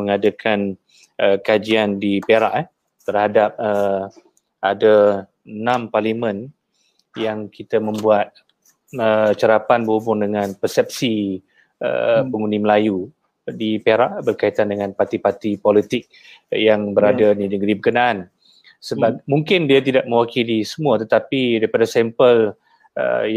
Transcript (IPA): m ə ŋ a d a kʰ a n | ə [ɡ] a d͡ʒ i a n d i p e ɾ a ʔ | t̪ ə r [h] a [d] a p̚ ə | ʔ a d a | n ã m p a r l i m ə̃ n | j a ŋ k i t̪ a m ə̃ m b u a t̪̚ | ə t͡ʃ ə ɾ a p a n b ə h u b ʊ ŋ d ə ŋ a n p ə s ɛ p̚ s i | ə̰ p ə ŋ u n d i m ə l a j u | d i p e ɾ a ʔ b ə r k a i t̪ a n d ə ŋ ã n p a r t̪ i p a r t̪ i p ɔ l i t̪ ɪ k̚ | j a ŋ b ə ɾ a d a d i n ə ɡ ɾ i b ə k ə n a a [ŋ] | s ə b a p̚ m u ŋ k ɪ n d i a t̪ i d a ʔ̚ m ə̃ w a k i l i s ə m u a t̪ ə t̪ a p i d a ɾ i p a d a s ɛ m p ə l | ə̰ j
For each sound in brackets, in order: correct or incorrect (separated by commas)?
incorrect, correct, correct, incorrect